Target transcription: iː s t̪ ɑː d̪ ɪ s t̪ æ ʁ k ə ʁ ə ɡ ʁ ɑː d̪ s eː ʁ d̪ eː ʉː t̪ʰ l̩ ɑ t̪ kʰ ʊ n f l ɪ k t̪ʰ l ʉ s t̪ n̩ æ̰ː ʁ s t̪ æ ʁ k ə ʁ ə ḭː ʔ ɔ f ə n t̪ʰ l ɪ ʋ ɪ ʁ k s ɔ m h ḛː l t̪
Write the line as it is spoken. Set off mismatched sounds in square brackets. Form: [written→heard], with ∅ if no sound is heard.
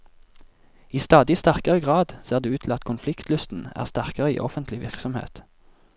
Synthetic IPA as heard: iː s t̪ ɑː d̪ ɪ s t̪ æ ʁ k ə ʁ ə ɡ ʁ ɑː d̪ s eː ʁ d̪ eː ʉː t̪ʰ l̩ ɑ t̪ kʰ ʊ n f l ɪ k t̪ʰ l ʉ s t̪ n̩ æ̰ː ʁ s t̪ æ ʁ k ə ʁ ə ḭː ʔ ɔ f ə n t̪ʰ l ɪ ʋ ɪ ʁ k s ɔ m h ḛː [l→∅] t̪